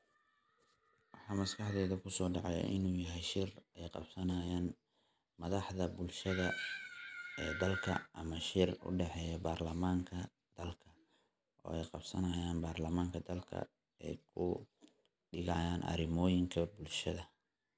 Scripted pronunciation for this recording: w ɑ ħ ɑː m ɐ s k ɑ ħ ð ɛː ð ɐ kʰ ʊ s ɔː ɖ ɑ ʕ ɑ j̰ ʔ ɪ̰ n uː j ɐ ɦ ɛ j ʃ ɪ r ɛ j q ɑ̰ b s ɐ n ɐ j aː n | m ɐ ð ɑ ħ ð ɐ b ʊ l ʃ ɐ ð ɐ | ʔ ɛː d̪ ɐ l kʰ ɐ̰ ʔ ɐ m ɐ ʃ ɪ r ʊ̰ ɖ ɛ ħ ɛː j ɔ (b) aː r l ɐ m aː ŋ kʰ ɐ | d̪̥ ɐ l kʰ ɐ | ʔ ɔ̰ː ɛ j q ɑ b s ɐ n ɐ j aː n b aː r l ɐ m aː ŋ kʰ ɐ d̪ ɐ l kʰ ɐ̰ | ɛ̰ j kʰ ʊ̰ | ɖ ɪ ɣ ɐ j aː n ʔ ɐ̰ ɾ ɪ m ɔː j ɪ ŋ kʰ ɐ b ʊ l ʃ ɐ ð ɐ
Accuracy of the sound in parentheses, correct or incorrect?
correct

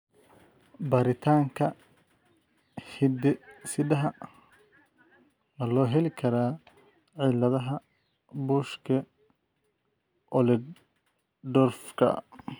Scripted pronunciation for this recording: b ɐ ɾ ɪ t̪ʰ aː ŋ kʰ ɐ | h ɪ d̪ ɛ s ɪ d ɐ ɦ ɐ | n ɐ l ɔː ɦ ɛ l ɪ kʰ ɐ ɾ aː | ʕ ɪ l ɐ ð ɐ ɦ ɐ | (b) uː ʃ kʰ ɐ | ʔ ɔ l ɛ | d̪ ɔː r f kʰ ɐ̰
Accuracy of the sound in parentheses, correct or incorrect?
correct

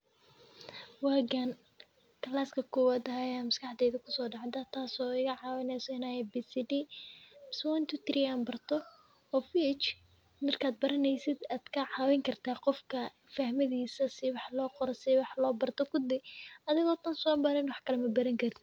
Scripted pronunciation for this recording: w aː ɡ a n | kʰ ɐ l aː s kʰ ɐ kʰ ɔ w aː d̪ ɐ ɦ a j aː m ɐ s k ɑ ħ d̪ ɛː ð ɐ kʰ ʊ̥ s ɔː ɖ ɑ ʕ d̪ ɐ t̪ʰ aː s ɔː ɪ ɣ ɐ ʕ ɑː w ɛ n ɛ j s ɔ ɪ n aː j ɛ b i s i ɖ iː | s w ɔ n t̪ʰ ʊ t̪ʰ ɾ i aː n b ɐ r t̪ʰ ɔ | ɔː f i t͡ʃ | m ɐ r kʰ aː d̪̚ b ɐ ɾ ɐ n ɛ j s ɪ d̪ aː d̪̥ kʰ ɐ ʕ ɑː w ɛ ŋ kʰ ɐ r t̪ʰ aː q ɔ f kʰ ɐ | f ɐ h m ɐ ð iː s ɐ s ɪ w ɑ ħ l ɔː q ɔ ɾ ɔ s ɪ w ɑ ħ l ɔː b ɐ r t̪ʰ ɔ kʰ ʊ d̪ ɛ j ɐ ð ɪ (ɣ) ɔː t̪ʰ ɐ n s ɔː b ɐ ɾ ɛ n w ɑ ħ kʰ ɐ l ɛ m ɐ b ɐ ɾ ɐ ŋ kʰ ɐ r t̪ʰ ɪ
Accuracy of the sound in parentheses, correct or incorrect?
correct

